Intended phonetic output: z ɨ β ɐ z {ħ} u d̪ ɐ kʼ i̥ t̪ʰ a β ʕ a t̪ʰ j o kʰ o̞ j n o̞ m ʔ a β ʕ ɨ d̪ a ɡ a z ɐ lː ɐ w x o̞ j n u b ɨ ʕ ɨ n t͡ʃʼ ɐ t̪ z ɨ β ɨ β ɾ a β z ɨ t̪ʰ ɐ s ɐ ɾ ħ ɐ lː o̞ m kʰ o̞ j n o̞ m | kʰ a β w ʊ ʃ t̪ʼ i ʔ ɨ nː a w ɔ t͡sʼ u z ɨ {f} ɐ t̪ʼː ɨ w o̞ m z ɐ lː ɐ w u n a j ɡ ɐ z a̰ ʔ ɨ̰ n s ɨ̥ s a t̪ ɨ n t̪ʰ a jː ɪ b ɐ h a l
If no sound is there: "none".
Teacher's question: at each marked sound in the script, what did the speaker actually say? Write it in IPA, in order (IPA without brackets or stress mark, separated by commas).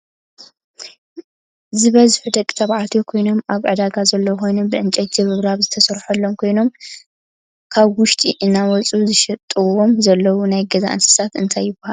ħ, ʃ